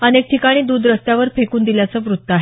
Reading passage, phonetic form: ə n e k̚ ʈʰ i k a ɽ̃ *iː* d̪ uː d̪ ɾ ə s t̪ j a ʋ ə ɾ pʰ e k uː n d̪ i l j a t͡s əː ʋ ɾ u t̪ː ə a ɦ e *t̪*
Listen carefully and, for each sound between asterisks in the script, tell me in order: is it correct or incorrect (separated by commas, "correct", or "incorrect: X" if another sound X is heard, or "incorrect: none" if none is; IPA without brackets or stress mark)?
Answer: correct, incorrect: none